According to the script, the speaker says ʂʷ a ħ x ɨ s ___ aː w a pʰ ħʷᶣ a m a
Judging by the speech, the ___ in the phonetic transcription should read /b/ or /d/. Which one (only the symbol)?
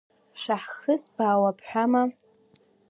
b